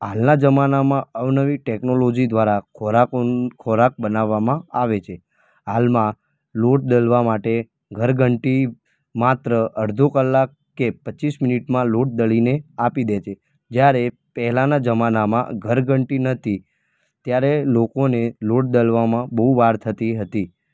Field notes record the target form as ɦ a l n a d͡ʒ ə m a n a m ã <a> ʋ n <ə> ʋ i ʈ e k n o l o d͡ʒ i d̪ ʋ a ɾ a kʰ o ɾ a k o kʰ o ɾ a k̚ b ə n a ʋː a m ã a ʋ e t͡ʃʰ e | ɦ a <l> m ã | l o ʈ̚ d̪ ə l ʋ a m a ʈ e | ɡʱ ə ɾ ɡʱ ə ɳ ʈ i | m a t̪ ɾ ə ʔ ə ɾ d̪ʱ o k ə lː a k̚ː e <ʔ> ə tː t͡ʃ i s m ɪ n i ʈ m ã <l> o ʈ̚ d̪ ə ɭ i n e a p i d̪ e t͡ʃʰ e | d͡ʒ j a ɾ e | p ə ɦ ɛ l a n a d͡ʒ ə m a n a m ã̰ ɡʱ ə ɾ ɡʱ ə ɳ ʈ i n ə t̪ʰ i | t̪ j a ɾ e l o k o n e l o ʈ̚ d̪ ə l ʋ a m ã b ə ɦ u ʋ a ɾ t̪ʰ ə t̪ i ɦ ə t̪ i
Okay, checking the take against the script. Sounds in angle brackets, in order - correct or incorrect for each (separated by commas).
incorrect, correct, correct, incorrect, correct